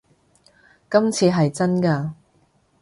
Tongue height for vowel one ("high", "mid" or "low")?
low